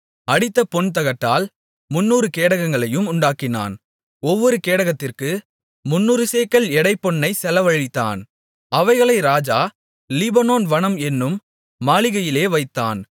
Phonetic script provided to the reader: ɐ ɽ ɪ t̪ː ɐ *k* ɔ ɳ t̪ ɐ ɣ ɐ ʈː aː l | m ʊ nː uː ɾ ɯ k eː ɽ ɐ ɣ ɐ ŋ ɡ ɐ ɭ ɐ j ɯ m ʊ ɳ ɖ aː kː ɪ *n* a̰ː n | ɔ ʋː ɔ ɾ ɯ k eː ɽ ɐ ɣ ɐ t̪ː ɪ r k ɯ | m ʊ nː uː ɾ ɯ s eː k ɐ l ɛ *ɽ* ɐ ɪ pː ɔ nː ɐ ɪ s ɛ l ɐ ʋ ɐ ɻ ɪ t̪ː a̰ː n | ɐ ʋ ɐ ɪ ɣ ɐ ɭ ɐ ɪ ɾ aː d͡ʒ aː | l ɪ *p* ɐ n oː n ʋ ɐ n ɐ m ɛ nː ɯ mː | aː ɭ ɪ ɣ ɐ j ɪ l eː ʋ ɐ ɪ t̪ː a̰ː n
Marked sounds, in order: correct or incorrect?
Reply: incorrect, correct, correct, incorrect

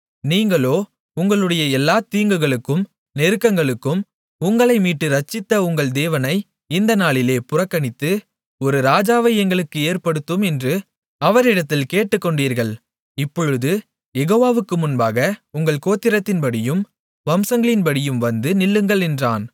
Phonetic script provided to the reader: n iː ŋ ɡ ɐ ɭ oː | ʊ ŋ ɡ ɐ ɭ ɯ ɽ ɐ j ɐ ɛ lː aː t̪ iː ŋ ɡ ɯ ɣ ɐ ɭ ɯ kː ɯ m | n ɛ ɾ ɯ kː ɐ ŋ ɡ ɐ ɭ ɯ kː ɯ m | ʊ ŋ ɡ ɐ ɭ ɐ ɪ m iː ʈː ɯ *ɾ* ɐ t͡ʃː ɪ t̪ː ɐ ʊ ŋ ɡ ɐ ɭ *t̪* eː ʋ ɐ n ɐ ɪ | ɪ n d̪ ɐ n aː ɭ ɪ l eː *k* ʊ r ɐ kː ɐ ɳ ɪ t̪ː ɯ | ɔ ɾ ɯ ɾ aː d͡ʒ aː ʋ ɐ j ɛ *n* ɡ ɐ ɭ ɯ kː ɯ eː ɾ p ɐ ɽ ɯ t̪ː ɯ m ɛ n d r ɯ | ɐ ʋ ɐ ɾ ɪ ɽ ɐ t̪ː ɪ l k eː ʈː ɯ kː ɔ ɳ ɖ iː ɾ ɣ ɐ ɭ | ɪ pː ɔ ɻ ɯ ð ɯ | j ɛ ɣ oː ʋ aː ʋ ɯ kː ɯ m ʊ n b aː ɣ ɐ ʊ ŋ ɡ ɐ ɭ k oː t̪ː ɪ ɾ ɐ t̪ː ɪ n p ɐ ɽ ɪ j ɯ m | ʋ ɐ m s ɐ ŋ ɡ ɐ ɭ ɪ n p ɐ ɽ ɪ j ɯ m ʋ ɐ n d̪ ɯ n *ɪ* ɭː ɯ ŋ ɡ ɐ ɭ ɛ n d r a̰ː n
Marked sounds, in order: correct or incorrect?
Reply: correct, incorrect, incorrect, incorrect, correct

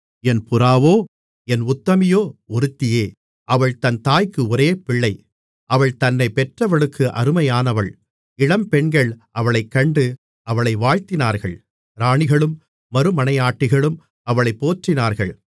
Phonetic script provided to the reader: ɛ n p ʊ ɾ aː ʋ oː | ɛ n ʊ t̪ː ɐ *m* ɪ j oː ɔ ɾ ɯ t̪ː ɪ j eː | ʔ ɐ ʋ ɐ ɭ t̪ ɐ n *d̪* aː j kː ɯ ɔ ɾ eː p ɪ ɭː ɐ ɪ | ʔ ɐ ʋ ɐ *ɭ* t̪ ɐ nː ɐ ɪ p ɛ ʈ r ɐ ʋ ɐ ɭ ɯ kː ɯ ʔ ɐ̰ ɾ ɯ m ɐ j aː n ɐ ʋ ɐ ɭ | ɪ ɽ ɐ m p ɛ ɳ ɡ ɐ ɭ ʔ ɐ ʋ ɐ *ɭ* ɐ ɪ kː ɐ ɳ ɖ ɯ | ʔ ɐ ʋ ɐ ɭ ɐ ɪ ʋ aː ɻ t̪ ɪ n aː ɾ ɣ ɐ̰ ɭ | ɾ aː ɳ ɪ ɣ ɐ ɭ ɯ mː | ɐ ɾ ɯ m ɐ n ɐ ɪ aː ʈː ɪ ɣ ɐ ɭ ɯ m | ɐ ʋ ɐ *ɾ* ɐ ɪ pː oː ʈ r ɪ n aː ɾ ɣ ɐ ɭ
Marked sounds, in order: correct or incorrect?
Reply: correct, incorrect, correct, correct, incorrect

